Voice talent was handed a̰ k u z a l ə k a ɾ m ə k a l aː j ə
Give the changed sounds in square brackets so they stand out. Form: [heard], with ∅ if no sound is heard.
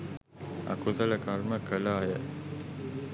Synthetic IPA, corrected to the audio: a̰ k u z [ə] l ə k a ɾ m ə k [ə] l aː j ə